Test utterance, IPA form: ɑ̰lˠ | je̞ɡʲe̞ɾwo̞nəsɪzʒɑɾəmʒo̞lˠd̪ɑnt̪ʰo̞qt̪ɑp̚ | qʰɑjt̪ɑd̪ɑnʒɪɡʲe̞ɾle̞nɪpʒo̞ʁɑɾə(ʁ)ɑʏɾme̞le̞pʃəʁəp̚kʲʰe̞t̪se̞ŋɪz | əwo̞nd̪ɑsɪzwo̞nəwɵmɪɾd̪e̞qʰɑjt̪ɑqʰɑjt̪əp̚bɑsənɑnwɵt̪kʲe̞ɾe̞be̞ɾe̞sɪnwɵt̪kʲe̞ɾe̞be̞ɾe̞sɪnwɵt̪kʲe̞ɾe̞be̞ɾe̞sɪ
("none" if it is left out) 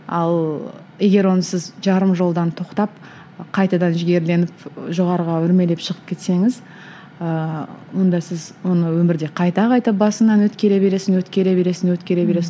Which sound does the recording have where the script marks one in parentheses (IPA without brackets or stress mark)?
ʁ